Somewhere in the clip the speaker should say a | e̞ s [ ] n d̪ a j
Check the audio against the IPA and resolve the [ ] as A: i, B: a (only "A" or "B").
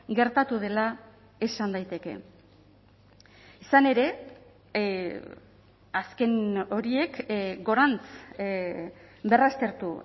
B